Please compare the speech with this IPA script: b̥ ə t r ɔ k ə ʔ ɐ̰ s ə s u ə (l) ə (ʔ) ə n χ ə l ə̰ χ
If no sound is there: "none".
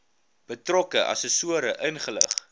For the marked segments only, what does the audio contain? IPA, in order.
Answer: ɾ, ʔ

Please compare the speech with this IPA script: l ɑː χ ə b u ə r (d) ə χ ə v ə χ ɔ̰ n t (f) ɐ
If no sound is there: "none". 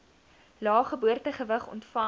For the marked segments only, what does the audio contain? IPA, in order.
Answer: t, f

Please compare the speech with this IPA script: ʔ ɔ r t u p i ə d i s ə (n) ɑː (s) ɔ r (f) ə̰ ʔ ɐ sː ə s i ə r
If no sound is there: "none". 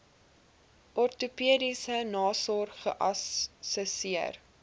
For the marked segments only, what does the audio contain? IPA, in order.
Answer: n, s, χ

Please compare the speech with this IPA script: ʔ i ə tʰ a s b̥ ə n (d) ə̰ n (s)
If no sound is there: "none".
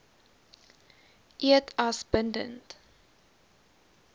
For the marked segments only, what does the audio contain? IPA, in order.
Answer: d, t

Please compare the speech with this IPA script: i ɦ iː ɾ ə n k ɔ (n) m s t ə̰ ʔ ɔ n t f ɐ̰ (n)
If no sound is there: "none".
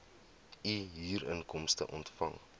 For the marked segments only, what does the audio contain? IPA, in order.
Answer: none, ŋ

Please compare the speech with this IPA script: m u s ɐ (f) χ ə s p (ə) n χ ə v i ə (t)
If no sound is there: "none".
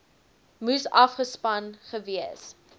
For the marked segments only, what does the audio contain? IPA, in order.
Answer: f, ɐ, s

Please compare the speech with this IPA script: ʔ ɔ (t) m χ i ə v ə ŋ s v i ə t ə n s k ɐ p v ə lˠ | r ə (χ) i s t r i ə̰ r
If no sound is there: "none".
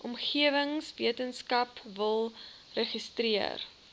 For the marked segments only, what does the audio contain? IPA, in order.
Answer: none, χ

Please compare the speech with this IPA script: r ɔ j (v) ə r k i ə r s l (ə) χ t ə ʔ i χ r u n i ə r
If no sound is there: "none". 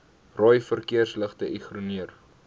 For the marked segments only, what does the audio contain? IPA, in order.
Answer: f, ə

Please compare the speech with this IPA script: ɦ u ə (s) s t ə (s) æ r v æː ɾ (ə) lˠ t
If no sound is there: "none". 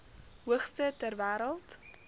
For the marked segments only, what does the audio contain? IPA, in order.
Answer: χ, t, ə

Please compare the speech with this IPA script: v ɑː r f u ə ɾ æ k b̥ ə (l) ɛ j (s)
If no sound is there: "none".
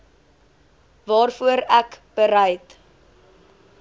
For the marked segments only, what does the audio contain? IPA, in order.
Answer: ɾ, t

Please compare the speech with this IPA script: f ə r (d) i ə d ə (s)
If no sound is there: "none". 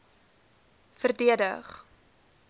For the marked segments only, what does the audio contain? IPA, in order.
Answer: d, χ

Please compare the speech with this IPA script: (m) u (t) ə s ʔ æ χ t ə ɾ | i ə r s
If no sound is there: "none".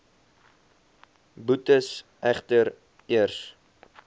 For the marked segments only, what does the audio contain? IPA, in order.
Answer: b, t

